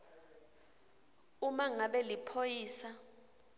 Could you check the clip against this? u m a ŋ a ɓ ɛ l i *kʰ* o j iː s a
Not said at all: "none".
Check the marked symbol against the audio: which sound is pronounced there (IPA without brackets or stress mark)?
pʰ